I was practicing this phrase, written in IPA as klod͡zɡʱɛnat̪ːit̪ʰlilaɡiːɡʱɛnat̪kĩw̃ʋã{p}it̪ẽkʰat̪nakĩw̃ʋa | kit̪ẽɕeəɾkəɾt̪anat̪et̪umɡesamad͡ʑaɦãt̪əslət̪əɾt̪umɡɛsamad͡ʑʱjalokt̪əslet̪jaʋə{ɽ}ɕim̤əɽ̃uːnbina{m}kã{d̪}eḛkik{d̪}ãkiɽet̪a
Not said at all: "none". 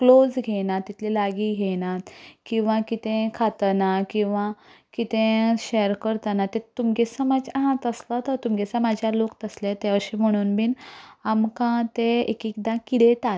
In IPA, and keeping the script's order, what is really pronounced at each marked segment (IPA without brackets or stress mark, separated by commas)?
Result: k, ɾ, m, t̪, d̪